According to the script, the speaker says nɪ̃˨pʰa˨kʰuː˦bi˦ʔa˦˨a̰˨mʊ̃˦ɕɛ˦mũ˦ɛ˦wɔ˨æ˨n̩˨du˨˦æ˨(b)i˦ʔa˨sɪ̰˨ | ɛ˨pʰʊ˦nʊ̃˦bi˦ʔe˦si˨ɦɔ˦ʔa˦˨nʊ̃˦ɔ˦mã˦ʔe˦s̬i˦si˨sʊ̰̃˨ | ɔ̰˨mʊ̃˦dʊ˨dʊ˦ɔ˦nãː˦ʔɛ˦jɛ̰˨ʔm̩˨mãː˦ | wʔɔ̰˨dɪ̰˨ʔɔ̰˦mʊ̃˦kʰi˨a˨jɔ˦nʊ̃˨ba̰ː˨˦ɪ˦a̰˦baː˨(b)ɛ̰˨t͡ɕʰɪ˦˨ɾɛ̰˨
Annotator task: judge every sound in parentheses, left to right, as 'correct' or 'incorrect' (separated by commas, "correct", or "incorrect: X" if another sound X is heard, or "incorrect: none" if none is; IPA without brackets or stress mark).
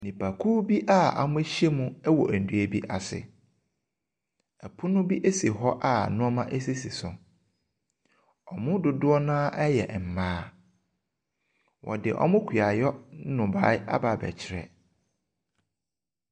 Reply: correct, correct